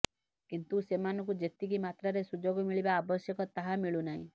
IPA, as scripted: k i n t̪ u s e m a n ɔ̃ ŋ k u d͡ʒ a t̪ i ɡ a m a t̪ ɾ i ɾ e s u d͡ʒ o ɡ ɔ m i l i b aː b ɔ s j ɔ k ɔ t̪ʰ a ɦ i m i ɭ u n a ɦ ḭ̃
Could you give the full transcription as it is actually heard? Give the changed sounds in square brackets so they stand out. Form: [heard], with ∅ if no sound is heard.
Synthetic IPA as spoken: k i n t̪ u s e m a n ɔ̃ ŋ k u d͡ʒ [e] t̪ i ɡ [i] m a t̪ ɾ [a] ɾ e s u d͡ʒ o ɡ ɔ m i [ɭ] i b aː b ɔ s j ɔ k ɔ [t̪] a ɦ [a] m i ɭ u n a ɦ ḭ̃